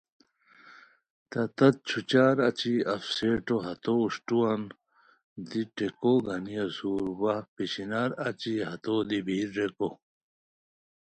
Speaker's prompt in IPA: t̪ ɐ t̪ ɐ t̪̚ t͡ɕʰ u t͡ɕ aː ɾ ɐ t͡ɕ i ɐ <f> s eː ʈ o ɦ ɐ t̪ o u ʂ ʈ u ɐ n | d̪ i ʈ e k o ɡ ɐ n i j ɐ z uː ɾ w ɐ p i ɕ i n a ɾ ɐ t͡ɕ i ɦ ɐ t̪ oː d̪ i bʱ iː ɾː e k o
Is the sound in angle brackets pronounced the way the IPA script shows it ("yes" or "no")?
yes